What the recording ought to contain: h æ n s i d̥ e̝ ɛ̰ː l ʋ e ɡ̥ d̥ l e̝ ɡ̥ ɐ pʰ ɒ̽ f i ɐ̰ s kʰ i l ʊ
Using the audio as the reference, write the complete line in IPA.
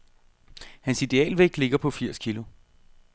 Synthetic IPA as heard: h æ n s i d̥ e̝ ɛ̰ː l ʋ e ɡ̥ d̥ l e̝ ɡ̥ ɐ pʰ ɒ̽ f i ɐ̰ s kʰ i l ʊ